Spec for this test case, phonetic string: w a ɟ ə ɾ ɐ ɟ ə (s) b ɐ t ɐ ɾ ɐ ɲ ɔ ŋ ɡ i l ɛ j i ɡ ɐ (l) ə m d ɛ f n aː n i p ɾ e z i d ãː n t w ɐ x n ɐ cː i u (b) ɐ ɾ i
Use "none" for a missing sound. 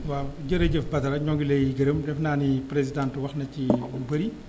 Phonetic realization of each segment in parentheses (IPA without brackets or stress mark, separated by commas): f, ɾ, b